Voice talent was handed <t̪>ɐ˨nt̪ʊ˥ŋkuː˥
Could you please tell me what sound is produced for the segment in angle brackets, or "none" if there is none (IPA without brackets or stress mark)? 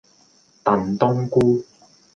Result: t̪